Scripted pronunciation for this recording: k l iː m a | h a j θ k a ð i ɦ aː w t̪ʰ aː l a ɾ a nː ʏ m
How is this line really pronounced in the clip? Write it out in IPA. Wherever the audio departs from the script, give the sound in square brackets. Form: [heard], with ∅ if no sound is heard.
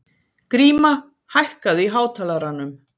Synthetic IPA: k [ɾ] iː m a | h a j [h] k a ð i ɦ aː w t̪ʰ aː l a ɾ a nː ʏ m